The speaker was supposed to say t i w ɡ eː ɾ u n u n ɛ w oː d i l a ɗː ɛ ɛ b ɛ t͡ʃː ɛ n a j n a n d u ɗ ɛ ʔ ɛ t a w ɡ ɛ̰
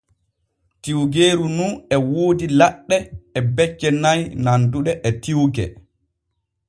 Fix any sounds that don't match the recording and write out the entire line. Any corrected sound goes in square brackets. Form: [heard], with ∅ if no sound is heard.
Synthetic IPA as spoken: t i w ɡ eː ɾ u n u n ɛ w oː d i l a ɗː ɛ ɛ b ɛ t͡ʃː ɛ n a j n a n d u ɗ ɛ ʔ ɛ t [i] w ɡ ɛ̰